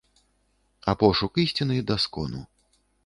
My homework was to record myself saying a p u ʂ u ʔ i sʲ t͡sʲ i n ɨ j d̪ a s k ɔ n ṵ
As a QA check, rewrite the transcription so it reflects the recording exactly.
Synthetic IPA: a p ɔ ʂ u k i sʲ t͡sʲ i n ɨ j d̪ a s k ɔ n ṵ